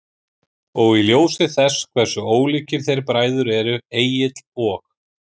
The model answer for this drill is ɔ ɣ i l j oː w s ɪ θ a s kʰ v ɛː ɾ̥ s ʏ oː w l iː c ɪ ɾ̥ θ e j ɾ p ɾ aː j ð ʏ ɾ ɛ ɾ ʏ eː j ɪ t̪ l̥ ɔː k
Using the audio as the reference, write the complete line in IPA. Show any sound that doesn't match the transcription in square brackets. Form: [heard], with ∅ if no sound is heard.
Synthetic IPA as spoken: ɔ ɣ i l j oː w s ɪ θ [ɛ] s kʰ v [ɛ] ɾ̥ s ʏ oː w l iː c ɪ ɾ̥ θ e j ɾ p ɾ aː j ð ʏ ɾ ɛ ɾ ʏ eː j ɪ t̪ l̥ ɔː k